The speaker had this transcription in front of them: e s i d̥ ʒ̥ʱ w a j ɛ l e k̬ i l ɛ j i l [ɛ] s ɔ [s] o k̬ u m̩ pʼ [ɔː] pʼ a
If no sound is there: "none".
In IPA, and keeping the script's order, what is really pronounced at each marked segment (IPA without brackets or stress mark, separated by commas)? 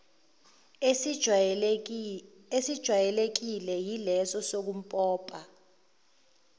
ɛ, s, ɔː